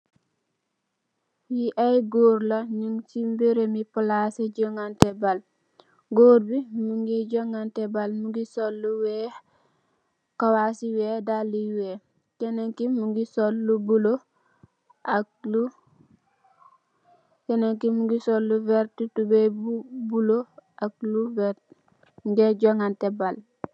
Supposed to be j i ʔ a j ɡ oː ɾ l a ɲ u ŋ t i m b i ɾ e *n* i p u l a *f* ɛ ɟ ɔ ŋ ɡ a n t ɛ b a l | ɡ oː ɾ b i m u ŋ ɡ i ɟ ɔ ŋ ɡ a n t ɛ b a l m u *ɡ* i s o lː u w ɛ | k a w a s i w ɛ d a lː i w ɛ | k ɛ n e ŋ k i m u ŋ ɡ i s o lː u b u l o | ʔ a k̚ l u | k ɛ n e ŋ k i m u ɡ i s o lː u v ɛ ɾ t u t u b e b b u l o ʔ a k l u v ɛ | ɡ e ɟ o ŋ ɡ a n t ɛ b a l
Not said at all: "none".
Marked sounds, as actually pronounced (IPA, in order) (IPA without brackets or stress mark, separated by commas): m, s, ɡ